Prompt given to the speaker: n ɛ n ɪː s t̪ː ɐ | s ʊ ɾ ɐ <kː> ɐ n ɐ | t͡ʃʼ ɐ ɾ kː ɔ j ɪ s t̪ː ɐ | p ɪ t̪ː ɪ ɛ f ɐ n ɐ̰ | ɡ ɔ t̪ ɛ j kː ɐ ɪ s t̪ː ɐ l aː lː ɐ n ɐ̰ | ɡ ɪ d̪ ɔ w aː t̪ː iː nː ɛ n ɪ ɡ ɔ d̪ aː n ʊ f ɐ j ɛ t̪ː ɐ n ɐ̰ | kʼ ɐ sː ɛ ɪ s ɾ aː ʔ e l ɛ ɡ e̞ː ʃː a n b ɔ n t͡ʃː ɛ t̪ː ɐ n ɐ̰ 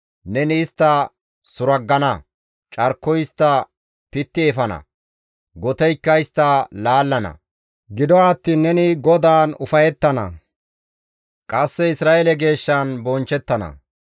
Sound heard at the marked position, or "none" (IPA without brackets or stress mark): ɡː